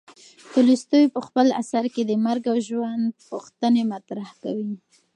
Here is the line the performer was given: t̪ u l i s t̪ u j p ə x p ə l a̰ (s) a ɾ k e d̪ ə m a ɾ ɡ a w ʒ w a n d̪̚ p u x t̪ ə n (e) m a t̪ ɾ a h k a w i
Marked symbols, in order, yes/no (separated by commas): yes, yes